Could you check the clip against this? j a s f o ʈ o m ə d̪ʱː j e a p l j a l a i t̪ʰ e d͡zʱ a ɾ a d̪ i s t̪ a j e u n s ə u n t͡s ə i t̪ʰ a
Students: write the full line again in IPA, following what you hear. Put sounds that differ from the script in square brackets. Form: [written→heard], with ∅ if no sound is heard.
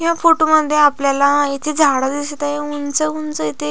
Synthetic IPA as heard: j a [s→∅] f o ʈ o m ə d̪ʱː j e a p l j a l a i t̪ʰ e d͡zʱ a [ɾ→ɽ] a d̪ i s t̪ a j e u n [s→t͡s] ə u n t͡s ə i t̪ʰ [a→e]